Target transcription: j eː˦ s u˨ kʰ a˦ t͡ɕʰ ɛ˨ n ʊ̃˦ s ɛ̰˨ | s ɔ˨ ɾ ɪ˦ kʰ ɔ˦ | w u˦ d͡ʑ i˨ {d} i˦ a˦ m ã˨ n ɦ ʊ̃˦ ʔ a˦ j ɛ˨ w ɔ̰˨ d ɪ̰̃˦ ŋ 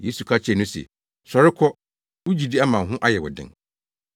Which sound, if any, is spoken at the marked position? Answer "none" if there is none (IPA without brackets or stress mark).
d